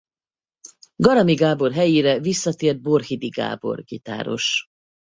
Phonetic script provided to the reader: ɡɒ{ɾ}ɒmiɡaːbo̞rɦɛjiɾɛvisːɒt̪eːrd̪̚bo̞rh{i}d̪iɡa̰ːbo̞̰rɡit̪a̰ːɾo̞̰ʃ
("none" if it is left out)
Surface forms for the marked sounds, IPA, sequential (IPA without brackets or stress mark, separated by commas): ɾ, i